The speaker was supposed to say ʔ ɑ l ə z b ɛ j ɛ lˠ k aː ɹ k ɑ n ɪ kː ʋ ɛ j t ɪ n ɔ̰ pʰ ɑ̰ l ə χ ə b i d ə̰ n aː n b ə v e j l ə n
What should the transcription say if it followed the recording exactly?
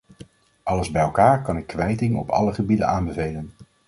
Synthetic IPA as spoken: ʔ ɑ l ə z b ɛ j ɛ lˠ k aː ɹ k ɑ n ɪ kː ʋ ɛ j t ɪ ŋ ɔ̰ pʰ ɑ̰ l ə χ ə b i d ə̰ n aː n b ə v e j l ə n